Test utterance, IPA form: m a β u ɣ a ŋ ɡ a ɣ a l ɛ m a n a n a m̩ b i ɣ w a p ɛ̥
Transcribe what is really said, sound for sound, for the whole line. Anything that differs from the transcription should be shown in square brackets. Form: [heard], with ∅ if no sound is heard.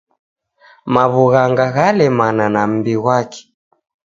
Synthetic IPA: m a β u ɣ a ŋ ɡ a ɣ a l ɛ m a n a n a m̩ b i ɣ w a [k] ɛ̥